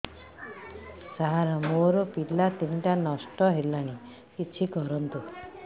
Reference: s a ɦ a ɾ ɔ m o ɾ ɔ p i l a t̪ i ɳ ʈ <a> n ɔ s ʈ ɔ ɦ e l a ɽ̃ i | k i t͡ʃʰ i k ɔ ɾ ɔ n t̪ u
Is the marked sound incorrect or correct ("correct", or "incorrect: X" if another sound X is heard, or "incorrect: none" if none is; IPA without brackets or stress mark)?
correct